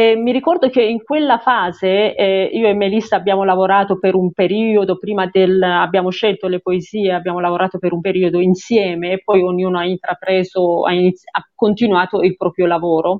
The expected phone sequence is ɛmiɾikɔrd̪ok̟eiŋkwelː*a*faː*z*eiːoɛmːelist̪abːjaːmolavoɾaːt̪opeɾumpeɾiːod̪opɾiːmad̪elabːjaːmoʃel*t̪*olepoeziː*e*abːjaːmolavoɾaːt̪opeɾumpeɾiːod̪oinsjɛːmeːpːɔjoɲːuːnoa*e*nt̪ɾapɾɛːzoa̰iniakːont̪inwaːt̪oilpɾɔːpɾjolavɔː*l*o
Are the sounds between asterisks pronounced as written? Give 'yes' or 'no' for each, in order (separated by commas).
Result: yes, yes, yes, yes, no, no